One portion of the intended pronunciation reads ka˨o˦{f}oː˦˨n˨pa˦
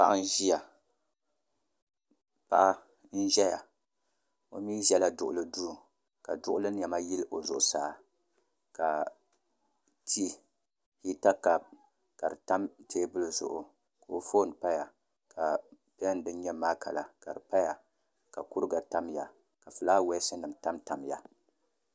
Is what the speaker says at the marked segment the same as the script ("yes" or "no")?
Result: yes